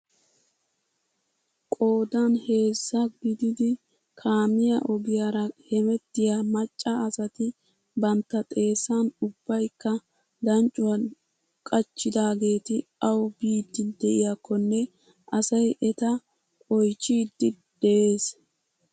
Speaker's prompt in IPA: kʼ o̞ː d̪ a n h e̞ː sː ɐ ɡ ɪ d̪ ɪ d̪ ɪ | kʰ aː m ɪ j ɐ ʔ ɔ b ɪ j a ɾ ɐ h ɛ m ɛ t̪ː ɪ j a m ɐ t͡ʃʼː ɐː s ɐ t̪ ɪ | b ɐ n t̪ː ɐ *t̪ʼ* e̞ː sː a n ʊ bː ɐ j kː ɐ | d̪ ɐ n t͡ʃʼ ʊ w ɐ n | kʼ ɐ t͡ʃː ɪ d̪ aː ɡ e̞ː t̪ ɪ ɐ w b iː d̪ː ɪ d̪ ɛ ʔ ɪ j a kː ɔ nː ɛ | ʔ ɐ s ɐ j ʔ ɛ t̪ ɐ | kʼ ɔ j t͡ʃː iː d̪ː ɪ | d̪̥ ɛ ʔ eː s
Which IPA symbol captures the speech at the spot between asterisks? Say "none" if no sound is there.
t̪ʼ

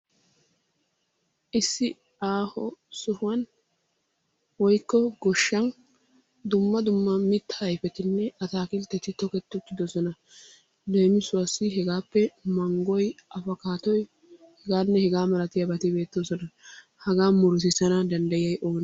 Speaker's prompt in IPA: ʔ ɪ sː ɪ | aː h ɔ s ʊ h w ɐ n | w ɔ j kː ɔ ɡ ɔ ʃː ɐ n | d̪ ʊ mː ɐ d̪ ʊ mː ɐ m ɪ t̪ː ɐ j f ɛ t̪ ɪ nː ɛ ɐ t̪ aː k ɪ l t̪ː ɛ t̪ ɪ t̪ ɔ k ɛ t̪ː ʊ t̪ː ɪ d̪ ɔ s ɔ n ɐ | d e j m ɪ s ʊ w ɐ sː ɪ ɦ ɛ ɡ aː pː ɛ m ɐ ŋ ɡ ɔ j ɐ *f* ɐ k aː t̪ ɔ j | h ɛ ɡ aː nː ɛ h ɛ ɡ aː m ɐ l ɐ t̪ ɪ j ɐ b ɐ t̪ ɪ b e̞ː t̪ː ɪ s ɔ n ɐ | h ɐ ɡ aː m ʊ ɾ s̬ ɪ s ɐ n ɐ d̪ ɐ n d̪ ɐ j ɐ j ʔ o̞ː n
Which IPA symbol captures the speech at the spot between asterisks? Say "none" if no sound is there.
f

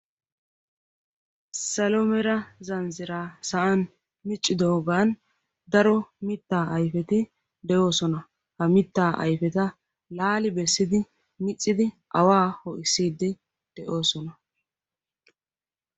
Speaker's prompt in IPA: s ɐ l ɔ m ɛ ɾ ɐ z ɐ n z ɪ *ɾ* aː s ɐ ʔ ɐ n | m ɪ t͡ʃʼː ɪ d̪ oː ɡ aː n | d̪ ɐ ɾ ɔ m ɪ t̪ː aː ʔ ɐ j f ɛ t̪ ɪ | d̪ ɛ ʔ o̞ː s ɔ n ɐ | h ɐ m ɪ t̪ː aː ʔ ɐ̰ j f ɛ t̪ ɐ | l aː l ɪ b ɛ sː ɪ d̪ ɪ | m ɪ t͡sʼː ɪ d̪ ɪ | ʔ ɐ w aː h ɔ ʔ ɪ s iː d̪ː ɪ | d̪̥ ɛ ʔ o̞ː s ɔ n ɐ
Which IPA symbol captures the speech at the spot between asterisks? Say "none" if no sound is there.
ɾ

